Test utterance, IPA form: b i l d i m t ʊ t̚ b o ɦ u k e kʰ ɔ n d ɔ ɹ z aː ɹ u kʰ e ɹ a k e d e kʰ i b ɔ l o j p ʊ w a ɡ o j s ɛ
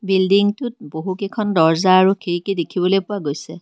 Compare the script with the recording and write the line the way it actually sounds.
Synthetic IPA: b i l d i ŋ t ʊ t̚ b o ɦ u k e kʰ ɔ n d ɔ ɹ z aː ɹ u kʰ e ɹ i k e d e kʰ i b ɔ l o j p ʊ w a ɡ o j s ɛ

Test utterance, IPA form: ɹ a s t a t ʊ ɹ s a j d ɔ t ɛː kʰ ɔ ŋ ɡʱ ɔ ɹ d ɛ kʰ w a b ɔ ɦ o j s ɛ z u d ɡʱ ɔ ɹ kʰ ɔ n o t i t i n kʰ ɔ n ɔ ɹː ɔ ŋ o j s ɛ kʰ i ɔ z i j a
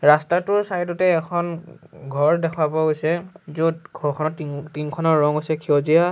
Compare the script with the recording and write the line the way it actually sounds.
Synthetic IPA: ɹ a s t a t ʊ ɹ s a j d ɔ t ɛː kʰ ɔ n ɡʱ ɔ ɹ d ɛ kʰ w a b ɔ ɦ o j s ɛ z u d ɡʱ ɔ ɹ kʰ ɔ n ɔ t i t i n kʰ ɔ n ɔ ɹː ɔ ŋ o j s ɛ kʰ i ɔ z i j a

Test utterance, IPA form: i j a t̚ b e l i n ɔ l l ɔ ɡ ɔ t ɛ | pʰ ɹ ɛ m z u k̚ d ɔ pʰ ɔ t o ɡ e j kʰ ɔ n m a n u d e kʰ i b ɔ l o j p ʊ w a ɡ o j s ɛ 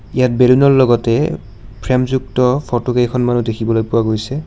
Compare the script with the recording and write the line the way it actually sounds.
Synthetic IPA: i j a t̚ b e l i n ɔ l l ɔ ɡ ɔ t ɛ | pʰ ɹ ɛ m z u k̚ t ɔ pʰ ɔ t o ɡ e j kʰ ɔ n m a n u d e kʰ i b ɔ l o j p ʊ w a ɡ o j s ɛ

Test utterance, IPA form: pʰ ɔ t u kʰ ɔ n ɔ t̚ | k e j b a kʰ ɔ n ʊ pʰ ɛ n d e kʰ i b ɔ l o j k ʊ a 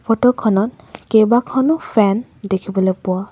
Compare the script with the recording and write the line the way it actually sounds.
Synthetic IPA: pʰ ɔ t ɔ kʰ ɔ n ɔ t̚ | k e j b a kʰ ɔ n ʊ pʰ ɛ n d e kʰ i b ɔ l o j p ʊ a

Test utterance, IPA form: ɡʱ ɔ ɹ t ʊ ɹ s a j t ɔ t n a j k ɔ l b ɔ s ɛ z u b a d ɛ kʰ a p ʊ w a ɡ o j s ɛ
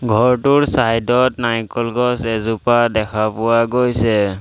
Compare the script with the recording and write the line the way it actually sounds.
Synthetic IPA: ɡʱ ɔ ɹ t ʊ ɹ s a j d ɔ t n a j k ɔ l ɡ ɔ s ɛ z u p a d ɛ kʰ a p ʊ w a ɡ o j s ɛ

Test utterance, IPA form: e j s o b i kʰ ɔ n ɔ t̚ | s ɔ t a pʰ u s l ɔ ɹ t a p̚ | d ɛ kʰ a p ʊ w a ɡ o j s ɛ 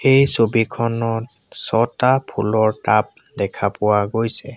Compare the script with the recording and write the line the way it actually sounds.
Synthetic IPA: e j s o b i kʰ ɔ n ɔ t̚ | s ɔ t a pʰ u l ɔ ɹ t a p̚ | d ɛ kʰ a p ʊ w a ɡ o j s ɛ

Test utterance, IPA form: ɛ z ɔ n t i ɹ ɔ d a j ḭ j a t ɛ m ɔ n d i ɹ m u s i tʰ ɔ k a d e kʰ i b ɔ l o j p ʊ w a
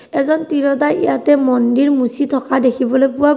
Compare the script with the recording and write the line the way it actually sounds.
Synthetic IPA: ɛ z ɔ n t i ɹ ɔ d a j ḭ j a t ɛ m ɔ n d i ɹ m u s i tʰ ɔ k a d e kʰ i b ɔ l o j p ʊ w a

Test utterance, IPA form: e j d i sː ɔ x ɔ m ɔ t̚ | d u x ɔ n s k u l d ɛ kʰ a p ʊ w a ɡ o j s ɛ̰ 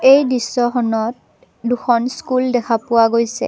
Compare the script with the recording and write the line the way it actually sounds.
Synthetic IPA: e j d i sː ɔ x ɔ n ɔ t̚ | d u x ɔ n s k u l d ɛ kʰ a p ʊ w a ɡ o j s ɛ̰

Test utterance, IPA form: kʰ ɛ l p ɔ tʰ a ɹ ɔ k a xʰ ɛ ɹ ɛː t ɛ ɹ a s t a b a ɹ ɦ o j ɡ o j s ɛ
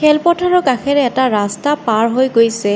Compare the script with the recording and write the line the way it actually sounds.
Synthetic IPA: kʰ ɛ l p ɔ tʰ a ɹ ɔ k a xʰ ɛ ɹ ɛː t a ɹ a s t a p a ɹ ɦ o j ɡ o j s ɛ

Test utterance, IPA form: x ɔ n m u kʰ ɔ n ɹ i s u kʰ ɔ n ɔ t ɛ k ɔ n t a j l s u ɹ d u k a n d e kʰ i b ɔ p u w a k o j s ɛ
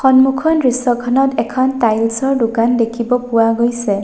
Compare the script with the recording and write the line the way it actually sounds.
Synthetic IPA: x ɔ n m u kʰ ɔ n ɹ i s ɔ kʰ ɔ n ɔ t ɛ kʰ ɔ n t a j l s ɔ ɹ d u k a n d e kʰ i b ɔ p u w a ɡ o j s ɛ

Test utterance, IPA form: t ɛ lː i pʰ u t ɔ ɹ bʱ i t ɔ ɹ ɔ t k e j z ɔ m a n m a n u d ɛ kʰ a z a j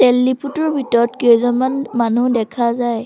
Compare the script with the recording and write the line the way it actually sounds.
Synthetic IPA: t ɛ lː i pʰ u t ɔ ɹ bʱ i t ɔ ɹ ɔ t k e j z ɔ m a n m a n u d ɛ kʰ a z a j

